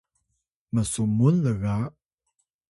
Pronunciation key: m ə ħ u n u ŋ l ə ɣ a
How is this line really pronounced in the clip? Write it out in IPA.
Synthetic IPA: m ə s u m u n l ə ɣ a